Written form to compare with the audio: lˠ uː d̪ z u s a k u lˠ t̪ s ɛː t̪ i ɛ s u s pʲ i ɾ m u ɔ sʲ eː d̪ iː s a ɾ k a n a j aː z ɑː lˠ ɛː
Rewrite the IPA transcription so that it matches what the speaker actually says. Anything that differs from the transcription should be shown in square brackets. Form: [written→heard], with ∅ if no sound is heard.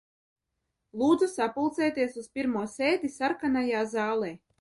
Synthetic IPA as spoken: lˠ uː d̪ z u s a [k→p] u lˠ t̪ s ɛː t̪ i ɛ s u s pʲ i ɾ m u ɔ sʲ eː d̪ [iː→i] s a ɾ k a n a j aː z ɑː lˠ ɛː